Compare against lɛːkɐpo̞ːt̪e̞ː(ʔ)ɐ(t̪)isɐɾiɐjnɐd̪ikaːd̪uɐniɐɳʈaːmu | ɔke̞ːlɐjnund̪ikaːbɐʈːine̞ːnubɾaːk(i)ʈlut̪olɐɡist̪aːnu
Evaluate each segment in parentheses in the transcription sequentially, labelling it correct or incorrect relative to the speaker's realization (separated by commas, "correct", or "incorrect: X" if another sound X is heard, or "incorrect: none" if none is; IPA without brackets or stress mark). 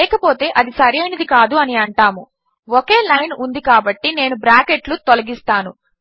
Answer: correct, incorrect: d̪, incorrect: e